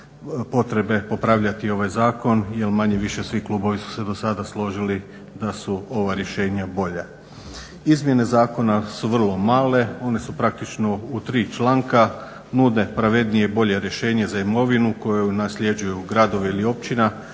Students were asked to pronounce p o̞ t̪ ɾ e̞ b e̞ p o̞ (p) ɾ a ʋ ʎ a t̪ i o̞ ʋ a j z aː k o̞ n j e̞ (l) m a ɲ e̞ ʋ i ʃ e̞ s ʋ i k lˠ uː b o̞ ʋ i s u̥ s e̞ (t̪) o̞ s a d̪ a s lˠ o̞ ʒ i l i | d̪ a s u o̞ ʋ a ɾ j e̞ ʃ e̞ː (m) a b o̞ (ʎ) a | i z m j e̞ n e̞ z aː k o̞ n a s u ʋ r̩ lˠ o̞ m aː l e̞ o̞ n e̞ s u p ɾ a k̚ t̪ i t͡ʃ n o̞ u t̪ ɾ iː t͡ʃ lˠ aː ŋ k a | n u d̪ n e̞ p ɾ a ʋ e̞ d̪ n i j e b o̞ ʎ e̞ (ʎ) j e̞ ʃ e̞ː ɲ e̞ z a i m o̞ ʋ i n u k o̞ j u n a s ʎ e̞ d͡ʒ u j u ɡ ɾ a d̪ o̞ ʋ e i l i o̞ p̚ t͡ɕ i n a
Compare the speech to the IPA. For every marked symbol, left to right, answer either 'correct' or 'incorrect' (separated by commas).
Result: correct, correct, incorrect, incorrect, correct, incorrect